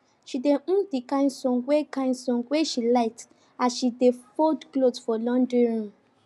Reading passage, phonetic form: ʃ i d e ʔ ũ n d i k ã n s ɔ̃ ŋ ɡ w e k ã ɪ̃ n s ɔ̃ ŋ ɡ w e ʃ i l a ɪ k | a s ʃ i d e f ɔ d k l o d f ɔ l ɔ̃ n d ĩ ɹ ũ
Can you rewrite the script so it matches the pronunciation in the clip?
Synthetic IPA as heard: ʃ i d e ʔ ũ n d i k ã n s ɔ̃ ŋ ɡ w e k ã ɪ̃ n s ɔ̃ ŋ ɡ w e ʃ i l a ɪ t | a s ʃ i d e f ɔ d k l o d f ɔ l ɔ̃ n d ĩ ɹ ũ